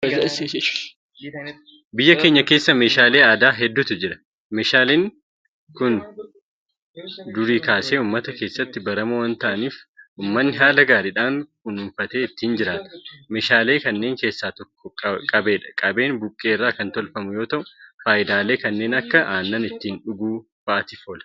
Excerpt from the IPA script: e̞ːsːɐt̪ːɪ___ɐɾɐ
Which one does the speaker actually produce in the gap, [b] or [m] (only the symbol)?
b